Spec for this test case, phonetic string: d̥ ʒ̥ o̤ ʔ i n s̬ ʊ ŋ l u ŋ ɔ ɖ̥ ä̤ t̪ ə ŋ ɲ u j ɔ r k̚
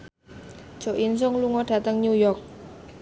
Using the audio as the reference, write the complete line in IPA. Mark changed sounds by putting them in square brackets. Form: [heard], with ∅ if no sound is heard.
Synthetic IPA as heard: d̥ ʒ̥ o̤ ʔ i n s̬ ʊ ŋ l u ŋ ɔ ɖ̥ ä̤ t̪ ə ŋ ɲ u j ɔ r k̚